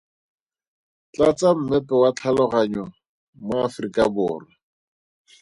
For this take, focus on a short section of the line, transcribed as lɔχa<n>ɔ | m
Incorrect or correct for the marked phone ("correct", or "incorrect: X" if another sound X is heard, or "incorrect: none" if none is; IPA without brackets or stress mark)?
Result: incorrect: ɲ